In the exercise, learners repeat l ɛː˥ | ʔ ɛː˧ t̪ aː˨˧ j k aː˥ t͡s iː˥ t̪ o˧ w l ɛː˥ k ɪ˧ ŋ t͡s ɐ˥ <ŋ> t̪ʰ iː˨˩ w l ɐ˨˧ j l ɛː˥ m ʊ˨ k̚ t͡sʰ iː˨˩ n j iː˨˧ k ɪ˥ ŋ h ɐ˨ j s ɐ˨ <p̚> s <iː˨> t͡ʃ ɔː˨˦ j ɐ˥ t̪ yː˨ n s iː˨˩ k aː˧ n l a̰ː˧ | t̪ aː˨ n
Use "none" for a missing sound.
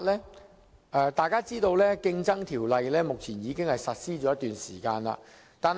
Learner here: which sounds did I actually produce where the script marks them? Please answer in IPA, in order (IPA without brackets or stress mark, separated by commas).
ŋ, t̚, iː˥